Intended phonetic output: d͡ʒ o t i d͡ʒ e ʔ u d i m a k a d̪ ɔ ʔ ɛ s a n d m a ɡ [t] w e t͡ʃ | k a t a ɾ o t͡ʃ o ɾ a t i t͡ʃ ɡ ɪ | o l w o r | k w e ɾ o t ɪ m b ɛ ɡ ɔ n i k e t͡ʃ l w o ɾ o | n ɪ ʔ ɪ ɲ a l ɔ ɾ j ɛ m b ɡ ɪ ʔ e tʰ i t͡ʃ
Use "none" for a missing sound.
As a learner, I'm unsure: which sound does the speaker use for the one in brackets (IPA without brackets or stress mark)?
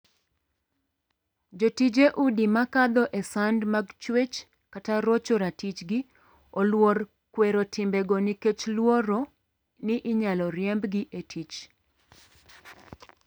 t͡ʃ